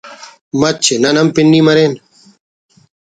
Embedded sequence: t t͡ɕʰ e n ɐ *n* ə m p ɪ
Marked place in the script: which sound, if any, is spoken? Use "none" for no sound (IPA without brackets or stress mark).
n